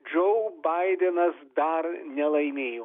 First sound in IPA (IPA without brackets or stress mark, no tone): d͡ʒ